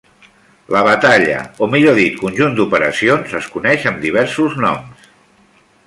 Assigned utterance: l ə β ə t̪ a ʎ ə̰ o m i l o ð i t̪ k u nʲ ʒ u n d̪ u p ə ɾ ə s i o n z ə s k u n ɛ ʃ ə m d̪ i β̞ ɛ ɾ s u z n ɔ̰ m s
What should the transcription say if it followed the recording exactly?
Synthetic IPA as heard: l ə β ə t̪ a ʎ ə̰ o m i ʎ o ð i t̪ k u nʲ ʒ u n d̪ u p ə ɾ ə s i o n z ə s k u n ɛ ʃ ə m d̪ i β̞ ɛ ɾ s u z n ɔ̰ m s